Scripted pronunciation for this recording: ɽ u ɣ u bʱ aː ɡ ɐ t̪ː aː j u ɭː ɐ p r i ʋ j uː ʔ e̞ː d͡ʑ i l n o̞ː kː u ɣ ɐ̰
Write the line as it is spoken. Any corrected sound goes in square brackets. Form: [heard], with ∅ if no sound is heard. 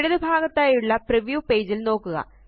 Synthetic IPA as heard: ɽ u [ð] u bʱ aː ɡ ɐ t̪ː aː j u ɭː ɐ p r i ʋ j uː [p] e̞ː d͡ʑ i l n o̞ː kː u ɣ ɐ̰